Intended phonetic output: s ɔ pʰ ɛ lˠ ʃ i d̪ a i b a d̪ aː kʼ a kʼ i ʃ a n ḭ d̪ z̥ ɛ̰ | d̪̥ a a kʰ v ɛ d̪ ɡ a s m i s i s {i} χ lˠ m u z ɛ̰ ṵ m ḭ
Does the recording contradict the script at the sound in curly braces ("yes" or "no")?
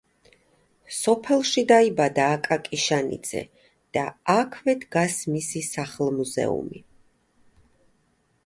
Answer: yes